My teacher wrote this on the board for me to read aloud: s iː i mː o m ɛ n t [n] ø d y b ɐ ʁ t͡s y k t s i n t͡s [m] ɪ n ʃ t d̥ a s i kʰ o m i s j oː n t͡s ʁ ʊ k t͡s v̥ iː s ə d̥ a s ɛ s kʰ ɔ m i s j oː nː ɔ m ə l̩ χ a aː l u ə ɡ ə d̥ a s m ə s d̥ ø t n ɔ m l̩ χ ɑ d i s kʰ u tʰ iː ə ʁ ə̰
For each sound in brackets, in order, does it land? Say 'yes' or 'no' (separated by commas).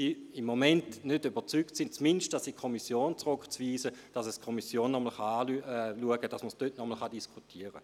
yes, yes